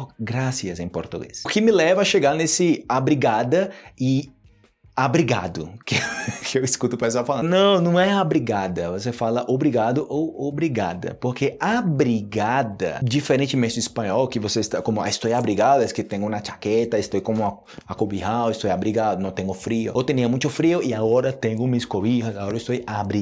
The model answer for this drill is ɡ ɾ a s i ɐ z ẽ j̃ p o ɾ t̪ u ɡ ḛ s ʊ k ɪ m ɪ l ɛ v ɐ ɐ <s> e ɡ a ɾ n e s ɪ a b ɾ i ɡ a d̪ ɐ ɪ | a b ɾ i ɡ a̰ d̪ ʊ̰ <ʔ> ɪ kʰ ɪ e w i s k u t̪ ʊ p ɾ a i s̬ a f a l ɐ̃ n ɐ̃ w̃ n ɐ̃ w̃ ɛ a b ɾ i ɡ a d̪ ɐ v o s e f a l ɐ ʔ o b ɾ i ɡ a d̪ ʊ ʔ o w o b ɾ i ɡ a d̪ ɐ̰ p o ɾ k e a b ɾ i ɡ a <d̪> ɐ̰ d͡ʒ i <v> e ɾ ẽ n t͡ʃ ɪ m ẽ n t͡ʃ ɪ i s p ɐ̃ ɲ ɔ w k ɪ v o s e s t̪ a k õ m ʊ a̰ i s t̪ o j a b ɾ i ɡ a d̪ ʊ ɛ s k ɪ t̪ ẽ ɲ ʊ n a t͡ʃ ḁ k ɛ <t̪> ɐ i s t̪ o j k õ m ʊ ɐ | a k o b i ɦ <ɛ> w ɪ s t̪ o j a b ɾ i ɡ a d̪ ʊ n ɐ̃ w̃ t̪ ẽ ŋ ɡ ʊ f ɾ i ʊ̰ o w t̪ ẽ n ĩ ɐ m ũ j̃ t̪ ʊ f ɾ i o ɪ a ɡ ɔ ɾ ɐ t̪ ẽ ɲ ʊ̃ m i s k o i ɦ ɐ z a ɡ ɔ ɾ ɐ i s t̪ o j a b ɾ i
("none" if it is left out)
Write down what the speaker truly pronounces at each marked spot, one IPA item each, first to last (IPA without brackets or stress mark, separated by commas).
ʃ, k, d̪, f, t̪, a